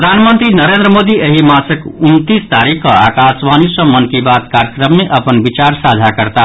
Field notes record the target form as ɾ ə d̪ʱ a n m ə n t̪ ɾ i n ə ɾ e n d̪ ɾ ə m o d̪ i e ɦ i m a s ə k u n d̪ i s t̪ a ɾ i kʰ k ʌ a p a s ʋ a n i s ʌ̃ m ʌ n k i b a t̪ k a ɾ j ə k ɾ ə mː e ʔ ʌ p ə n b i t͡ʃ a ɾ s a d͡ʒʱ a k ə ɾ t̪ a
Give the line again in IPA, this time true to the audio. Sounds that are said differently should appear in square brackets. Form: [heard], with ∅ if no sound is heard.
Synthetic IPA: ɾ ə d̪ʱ a n m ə n t̪ ɾ i n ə ɾ e n d̪ ɾ ə m o d̪ i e ɦ i m a s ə k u n [t̪] i s t̪ a ɾ i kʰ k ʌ a [k] a s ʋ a n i s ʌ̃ m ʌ n k i b a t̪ k a ɾ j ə k ɾ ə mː e ʔ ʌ p ə n b i t͡ʃ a ɾ s a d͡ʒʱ a k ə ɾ t̪ a